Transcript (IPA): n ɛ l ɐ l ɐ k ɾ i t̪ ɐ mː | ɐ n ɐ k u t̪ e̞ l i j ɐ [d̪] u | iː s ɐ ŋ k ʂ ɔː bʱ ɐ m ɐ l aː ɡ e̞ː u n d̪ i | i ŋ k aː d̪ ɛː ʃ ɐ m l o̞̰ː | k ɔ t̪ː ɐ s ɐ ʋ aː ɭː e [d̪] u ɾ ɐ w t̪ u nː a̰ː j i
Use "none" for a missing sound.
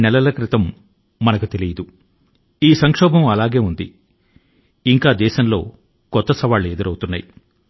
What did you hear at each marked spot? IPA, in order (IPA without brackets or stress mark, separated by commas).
d̪, d̪